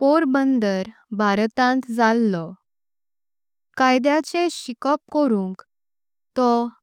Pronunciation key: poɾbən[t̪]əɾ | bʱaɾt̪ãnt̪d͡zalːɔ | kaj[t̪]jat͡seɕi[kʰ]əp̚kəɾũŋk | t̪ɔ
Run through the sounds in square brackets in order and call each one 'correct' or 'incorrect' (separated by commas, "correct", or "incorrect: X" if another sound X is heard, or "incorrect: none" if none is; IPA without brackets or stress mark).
incorrect: d̪, incorrect: d̪, incorrect: k